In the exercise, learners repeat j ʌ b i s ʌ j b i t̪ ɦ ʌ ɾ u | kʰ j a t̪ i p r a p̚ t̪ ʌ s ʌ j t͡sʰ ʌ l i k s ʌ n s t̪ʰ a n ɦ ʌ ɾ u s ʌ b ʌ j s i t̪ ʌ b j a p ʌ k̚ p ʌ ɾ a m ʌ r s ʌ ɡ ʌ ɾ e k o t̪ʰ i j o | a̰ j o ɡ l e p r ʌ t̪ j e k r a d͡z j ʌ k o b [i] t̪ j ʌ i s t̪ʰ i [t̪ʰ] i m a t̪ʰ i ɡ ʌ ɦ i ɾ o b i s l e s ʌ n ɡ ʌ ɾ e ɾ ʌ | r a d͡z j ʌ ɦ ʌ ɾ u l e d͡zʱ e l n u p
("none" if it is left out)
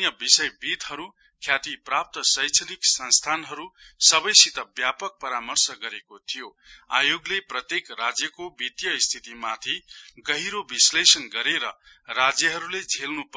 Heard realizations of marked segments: i, t̪

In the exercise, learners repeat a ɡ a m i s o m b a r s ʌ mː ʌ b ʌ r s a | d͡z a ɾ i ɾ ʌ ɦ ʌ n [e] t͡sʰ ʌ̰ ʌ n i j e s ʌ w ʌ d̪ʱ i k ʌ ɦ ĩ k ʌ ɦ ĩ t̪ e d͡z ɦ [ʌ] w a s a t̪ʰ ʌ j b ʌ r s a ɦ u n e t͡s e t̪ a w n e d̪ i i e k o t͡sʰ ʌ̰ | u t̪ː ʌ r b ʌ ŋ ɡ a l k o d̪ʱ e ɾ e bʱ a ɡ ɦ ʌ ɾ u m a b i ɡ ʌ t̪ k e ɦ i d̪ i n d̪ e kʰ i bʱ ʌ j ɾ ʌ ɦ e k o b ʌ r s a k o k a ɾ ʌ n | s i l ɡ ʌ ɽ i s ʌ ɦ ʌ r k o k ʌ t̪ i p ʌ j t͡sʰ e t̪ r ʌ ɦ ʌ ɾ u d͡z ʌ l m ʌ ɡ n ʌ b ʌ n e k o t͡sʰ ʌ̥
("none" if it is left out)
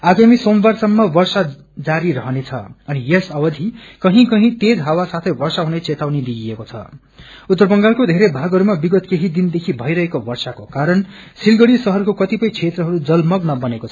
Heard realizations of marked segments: e, a

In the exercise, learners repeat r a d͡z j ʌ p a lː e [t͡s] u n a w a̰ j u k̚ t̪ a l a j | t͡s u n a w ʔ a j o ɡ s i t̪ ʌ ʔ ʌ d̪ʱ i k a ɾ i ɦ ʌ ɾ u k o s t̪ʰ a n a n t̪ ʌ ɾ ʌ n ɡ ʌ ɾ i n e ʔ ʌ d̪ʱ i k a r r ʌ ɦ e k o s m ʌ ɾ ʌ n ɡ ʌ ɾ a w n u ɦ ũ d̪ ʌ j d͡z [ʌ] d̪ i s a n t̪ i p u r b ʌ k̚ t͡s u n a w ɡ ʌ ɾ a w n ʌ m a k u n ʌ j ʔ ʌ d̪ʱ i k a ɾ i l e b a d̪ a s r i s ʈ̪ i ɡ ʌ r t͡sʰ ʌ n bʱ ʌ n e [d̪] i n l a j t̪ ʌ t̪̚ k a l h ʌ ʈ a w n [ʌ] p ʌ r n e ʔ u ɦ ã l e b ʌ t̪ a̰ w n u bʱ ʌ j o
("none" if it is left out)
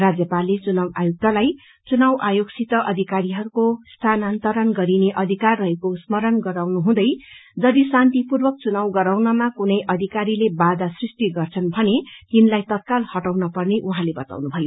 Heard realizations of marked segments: t͡s, ʌ, t̪, ʌ

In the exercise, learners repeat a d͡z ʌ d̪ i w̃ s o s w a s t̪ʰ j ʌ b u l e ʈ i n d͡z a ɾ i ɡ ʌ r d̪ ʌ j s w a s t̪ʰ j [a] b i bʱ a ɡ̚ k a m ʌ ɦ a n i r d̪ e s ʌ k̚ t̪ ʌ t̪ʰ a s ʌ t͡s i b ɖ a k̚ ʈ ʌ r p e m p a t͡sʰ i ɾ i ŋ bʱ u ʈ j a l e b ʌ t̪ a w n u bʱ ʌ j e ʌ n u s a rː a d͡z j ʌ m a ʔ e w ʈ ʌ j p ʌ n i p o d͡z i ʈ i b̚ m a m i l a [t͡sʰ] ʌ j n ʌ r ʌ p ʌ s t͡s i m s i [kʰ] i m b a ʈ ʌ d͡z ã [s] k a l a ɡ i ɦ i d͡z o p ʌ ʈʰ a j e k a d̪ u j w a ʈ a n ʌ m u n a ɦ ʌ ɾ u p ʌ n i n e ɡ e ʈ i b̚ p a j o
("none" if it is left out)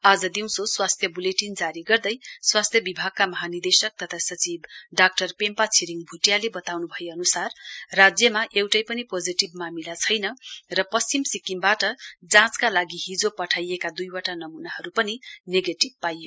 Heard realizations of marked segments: ʌ, t͡sʰ, k, t͡s

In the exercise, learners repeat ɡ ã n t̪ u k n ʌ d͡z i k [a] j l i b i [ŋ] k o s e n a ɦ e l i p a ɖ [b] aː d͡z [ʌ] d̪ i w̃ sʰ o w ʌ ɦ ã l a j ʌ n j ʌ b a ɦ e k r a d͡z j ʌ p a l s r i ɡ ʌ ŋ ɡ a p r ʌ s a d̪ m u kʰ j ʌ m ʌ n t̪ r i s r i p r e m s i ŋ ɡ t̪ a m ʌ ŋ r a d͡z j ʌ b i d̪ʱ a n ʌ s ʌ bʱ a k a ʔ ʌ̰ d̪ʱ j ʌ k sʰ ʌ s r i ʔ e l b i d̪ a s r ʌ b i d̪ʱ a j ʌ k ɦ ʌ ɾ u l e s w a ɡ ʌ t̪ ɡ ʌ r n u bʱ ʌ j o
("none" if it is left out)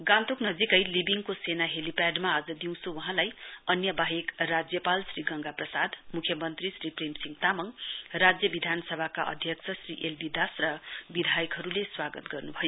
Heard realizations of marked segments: ʌ, ŋ, m, ʌ

